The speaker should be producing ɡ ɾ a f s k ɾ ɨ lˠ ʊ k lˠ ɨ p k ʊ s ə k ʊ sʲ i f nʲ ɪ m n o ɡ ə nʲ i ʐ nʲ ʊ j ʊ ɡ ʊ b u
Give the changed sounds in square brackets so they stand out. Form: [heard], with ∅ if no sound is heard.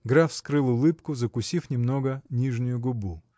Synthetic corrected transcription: ɡ ɾ a f s k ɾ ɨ lˠ ʊ [∅] lˠ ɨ p k ʊ [z] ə k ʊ sʲ i f nʲ ɪ m n o ɡ ə nʲ i ʐ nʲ ʊ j ʊ ɡ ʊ b u